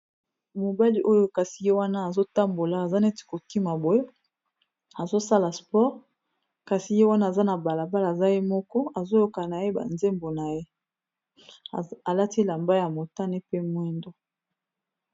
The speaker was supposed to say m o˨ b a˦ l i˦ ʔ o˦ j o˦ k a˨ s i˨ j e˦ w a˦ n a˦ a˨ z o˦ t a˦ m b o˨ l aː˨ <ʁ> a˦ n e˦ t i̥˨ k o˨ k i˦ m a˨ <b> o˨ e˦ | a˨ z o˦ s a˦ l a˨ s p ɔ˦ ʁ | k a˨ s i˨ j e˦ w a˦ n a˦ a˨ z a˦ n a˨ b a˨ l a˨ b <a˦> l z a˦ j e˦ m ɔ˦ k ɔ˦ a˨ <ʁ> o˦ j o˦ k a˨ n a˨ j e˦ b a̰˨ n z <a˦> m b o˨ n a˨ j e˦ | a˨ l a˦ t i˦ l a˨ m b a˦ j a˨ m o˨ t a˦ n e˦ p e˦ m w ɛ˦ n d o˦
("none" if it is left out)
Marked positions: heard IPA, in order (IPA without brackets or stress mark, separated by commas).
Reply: z, b, a˦, z, e˦